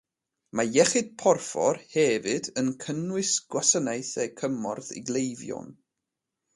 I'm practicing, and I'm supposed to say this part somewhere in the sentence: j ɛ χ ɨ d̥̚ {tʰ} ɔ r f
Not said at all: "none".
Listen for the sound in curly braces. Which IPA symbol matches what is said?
pʰ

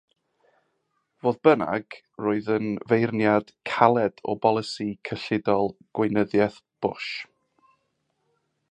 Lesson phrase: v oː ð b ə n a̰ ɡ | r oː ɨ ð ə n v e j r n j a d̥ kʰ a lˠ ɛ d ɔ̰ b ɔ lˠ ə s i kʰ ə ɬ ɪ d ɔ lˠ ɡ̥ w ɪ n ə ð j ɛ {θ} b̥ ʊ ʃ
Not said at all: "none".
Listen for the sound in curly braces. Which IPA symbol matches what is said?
θ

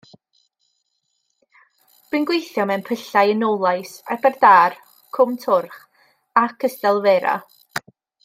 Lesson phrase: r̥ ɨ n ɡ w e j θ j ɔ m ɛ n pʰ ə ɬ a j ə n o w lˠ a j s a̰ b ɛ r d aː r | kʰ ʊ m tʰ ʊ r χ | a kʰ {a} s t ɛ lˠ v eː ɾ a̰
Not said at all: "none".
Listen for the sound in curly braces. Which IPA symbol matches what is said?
ə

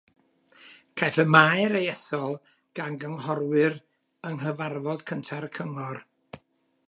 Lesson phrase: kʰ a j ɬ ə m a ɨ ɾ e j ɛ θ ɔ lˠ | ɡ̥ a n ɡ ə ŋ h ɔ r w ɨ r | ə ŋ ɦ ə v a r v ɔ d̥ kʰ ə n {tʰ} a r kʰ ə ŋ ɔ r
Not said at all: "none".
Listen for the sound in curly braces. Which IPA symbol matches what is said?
tʰ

